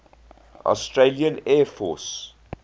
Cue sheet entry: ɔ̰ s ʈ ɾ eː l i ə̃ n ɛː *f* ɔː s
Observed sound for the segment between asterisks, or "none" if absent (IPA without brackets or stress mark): f